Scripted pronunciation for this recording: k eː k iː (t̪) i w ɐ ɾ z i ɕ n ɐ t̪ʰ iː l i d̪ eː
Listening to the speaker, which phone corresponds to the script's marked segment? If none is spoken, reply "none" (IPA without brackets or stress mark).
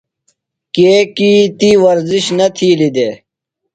t̪